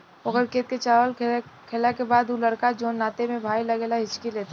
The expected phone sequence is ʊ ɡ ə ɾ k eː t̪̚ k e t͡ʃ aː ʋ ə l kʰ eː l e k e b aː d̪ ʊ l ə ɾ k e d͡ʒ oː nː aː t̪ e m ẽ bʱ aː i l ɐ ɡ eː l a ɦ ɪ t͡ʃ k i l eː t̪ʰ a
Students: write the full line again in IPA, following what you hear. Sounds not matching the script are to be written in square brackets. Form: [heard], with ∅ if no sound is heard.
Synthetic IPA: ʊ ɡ ə ɾ k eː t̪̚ k e t͡ʃ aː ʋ ə l kʰ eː l [a] k e b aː d̪ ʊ l ə ɾ k [a] d͡ʒ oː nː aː t̪ e m ẽ bʱ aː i l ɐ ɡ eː l a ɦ ɪ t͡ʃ k i l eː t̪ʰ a